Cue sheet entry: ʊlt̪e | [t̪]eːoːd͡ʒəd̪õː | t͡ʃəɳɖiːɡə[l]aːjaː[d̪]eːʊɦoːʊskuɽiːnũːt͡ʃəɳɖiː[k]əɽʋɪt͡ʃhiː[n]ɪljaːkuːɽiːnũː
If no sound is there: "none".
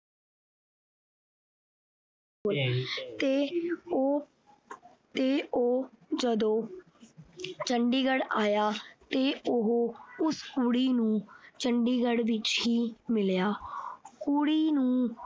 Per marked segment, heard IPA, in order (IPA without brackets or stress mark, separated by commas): t̪, ɽ, t̪, ɡ, m